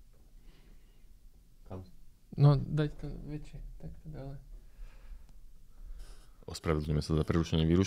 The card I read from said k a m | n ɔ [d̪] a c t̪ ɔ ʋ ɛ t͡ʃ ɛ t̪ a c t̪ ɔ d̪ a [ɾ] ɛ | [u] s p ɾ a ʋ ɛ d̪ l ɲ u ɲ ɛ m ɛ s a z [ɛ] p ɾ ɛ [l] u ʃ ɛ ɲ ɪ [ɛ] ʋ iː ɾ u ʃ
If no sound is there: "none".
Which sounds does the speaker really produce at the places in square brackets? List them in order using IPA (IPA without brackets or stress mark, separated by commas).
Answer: d̪, l, ɔ, a, ɾ, ɛ